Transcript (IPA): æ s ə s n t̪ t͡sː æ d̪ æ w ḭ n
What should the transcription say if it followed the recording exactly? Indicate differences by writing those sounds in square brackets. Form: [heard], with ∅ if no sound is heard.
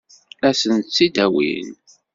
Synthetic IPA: æ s ə [∅] n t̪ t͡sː [i] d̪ æ w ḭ n